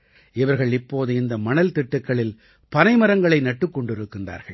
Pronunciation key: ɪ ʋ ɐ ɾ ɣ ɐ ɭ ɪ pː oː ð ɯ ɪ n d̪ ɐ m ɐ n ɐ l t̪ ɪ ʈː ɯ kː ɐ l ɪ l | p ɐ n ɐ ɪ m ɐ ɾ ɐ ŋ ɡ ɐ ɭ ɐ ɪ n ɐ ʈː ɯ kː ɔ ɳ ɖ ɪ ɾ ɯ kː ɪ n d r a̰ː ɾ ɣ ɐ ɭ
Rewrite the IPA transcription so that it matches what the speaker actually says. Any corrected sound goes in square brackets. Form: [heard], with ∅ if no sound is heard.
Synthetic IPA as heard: ɪ ʋ ɐ ɾ ɣ ɐ ɭ ɪ pː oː ð ɯ ɪ n d̪ ɐ m ɐ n ɐ l t̪ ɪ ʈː ɯ kː ɐ [ɭ] ɪ l | p ɐ n ɐ ɪ m ɐ ɾ ɐ ŋ ɡ ɐ ɭ ɐ ɪ n ɐ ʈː ɯ kː ɔ ɳ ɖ ɪ ɾ ɯ kː ɪ n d r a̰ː ɾ ɣ ɐ ɭ